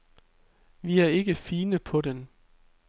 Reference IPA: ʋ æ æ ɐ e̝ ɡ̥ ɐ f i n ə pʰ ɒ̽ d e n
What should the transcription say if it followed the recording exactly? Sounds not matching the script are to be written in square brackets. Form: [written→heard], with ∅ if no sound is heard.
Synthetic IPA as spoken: ʋ [æ→i] æ ɐ e̝ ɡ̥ [ɐ→ə] f [i→iː] n ə pʰ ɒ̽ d e n